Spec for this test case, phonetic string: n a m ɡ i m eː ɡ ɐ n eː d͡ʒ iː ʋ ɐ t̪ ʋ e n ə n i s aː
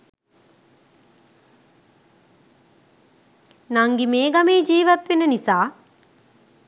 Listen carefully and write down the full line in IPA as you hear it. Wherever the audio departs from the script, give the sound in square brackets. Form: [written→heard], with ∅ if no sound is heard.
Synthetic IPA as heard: n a [m→ŋ] ɡ i m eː ɡ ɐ [n→m] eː d͡ʒ iː ʋ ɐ t̪ ʋ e n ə n i s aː